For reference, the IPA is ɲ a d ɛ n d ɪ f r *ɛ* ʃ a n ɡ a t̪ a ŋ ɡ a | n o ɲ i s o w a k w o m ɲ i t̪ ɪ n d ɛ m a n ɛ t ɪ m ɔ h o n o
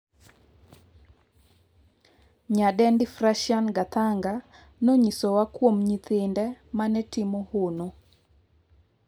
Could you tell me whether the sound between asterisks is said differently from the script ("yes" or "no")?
yes